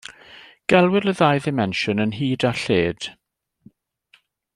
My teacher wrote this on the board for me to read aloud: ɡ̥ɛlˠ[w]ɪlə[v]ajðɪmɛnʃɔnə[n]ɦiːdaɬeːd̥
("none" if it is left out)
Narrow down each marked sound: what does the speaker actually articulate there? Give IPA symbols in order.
w, ð, n

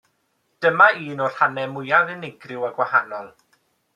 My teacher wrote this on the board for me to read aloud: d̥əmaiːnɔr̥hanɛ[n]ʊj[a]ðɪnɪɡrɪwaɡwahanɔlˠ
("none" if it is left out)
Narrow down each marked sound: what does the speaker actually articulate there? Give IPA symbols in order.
m, a

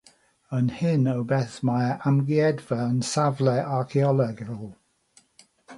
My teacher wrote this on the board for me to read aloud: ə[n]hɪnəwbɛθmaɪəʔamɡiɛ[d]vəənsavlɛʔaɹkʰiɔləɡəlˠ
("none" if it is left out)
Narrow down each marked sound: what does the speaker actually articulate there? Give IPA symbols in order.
n, d

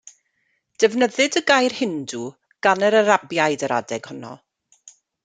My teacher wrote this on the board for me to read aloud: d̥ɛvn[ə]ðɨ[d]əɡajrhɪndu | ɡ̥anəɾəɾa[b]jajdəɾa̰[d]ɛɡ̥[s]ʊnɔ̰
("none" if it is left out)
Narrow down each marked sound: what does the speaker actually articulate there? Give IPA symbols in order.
ə, d, b, d, h

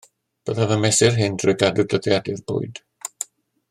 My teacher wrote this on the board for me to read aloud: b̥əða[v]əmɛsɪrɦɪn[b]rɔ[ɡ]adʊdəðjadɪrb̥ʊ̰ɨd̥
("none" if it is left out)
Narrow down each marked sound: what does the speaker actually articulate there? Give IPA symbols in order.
v, d, ɡ

